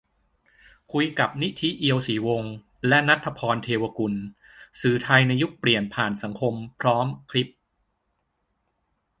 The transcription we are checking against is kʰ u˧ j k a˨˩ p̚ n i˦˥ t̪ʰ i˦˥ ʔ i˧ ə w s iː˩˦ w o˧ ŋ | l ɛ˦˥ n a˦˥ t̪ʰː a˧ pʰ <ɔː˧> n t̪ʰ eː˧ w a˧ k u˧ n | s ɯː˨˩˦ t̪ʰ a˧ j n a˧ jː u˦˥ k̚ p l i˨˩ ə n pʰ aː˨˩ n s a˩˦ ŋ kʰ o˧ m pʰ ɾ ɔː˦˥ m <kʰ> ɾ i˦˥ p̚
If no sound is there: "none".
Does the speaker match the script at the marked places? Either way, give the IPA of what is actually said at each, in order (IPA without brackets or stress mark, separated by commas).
ɔː˧, kʰ